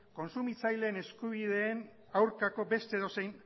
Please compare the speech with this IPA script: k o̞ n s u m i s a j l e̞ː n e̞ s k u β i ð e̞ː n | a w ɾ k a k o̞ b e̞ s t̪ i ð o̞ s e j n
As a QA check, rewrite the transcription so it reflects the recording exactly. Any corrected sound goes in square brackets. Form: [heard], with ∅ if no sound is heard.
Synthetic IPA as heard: k o̞ n s u m i [t͡s] a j l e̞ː n e̞ s k u β i ð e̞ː n | a w ɾ k a k o̞ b e̞ s t̪ [e] ð o̞ s e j n